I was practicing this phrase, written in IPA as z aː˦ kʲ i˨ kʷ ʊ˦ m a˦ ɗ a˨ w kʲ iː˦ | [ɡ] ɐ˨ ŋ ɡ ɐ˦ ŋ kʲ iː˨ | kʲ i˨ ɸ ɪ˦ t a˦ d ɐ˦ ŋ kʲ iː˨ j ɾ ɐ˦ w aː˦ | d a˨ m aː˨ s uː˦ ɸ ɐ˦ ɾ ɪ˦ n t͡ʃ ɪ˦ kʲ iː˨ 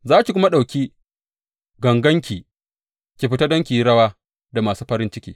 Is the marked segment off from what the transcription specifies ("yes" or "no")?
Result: no